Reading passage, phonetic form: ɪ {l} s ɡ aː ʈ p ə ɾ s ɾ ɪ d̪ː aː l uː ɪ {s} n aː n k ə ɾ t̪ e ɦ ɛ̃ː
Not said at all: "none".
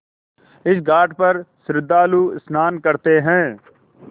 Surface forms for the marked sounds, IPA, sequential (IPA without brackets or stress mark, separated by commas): none, s